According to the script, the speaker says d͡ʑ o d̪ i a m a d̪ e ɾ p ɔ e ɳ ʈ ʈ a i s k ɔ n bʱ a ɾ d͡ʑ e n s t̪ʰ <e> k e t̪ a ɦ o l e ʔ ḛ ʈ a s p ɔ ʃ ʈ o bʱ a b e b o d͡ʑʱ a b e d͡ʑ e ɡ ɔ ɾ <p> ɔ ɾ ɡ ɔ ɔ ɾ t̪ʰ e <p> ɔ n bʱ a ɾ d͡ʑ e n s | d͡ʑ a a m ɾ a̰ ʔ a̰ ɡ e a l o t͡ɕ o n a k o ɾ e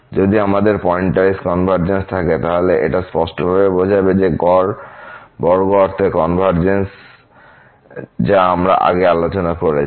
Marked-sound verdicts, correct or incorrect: incorrect: a, incorrect: b, incorrect: k

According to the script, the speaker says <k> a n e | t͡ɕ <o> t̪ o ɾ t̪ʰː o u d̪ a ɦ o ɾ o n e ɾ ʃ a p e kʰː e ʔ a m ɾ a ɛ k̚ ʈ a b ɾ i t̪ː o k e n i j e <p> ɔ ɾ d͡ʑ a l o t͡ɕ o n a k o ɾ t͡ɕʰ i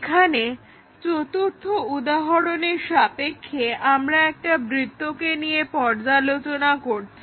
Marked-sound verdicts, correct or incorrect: incorrect: kʰ, correct, correct

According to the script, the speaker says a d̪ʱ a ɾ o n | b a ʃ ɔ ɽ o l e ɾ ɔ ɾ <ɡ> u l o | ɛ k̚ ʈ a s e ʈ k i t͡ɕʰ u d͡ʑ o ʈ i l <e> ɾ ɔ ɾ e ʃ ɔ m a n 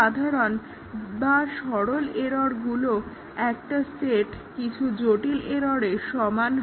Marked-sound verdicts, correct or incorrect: correct, correct

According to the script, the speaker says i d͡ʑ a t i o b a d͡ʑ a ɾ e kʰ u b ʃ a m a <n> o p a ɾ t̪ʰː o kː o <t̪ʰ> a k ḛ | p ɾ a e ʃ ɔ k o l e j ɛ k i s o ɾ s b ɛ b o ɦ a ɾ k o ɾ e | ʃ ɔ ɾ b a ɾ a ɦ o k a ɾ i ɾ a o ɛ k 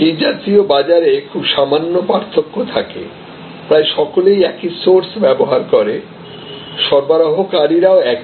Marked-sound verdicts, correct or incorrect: incorrect: nː, correct

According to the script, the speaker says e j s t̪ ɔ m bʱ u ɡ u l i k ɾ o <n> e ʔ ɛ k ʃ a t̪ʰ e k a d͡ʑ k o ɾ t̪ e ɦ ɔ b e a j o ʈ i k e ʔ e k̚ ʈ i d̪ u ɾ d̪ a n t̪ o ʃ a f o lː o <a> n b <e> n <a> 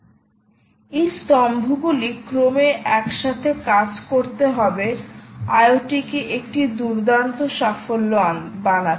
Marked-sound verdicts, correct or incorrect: incorrect: m, correct, incorrect: a, correct

